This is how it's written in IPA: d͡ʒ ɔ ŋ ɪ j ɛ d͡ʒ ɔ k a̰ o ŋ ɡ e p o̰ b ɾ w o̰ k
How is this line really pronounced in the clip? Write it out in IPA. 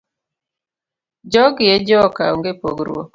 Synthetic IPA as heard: d͡ʒ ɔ ɡ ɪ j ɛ d͡ʒ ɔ k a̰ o ŋ ɡ e p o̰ ɡ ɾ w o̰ k